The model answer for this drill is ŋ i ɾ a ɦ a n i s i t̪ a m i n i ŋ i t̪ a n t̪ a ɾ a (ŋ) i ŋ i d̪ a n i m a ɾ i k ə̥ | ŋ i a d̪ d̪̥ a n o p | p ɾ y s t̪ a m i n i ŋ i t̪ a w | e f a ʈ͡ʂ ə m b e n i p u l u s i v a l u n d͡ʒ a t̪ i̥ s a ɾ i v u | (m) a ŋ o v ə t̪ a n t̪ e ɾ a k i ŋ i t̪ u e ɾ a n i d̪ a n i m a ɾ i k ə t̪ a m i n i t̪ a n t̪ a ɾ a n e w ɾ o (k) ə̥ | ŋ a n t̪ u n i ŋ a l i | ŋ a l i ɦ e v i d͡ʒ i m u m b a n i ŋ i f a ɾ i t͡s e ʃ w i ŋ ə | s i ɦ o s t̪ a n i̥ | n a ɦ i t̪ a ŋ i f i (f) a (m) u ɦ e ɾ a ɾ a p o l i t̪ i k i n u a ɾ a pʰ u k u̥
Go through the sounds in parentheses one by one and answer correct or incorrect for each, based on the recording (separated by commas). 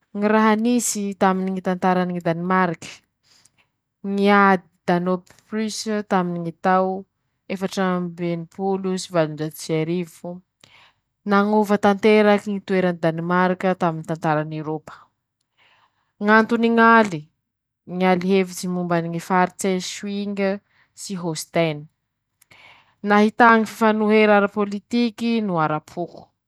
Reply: incorrect, incorrect, incorrect, correct, incorrect